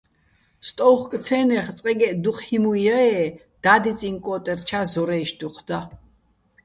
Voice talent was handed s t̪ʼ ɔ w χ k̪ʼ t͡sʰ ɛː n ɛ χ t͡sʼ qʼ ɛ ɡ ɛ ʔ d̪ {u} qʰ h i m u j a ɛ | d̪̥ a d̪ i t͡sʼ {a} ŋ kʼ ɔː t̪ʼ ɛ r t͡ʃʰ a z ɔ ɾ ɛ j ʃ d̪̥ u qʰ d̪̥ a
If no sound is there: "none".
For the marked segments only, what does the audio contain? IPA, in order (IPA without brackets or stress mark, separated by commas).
u, i